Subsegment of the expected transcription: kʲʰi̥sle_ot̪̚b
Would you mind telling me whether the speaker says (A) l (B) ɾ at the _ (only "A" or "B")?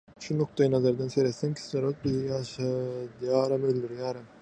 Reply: B